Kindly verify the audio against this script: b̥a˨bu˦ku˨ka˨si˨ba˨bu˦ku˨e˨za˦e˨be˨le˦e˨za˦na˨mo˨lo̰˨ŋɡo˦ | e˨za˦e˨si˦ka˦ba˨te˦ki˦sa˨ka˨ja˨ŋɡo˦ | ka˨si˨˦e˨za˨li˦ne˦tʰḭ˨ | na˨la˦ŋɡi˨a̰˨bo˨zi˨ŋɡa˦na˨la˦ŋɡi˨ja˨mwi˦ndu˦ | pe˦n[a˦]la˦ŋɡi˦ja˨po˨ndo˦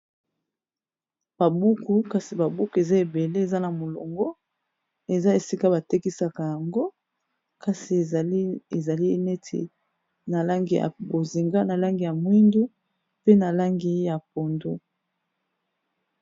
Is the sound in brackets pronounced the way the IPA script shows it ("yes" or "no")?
no